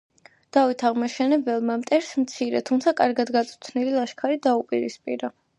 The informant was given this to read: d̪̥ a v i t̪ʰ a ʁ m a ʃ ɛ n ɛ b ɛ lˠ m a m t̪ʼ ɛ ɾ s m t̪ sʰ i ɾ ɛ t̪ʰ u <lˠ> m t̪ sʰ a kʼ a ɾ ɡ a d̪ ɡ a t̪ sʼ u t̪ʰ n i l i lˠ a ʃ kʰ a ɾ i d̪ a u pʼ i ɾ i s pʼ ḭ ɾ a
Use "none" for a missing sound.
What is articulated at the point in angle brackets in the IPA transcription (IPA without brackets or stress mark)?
none